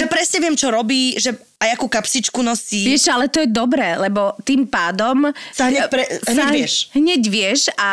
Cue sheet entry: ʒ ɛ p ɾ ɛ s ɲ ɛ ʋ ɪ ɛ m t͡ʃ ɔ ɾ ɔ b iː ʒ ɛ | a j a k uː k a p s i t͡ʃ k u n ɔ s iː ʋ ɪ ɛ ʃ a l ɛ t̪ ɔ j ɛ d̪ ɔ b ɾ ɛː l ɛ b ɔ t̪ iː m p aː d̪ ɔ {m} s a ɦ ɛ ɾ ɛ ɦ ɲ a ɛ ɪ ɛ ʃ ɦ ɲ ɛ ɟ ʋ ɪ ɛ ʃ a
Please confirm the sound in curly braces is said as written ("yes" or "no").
yes